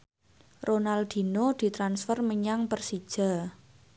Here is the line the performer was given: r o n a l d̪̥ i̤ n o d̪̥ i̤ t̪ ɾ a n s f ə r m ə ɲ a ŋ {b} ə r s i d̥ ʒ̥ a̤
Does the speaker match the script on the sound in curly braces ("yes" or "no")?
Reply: no